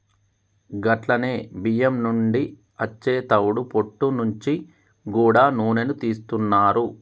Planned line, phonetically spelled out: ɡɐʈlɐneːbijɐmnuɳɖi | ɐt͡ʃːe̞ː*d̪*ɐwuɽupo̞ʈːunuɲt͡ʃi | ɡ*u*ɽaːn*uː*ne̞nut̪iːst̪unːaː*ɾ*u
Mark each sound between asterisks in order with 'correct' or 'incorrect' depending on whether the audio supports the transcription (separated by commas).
incorrect, incorrect, correct, correct